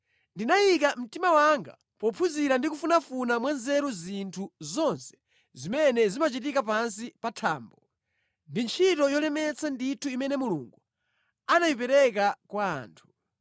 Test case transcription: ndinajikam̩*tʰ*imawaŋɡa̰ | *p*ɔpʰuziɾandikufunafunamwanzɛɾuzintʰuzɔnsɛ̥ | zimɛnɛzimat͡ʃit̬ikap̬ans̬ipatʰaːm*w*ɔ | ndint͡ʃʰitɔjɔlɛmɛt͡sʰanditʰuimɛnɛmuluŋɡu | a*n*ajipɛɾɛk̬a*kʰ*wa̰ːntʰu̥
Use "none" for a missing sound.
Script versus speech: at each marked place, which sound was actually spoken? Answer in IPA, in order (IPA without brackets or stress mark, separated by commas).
t, p, b, n, k